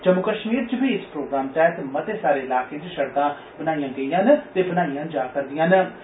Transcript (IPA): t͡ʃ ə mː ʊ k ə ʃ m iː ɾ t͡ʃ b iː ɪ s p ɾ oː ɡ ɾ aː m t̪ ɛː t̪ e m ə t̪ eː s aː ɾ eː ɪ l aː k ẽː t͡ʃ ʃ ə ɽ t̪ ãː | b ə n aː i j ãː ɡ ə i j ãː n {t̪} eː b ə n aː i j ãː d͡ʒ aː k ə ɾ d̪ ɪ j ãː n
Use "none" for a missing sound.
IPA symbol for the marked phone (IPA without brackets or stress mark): t̪